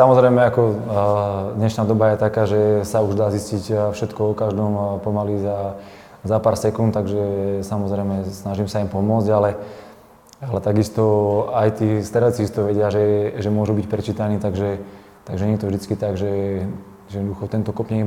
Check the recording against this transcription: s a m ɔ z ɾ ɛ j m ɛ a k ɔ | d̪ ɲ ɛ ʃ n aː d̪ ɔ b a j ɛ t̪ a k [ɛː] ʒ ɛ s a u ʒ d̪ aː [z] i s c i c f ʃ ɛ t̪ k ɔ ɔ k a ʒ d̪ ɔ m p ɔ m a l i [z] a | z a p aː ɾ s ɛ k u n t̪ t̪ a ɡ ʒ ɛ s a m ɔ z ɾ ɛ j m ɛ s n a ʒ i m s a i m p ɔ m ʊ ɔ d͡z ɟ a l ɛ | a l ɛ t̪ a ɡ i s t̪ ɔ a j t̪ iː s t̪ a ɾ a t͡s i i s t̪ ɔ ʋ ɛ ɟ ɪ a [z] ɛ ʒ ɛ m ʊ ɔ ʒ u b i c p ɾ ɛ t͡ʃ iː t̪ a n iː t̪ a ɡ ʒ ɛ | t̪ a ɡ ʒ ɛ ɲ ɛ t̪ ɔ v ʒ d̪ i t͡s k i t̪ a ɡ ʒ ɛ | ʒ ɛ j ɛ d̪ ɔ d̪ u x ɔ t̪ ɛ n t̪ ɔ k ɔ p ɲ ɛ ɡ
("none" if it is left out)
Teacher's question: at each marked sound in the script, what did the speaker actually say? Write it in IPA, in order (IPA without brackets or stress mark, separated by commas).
aː, z, z, ʒ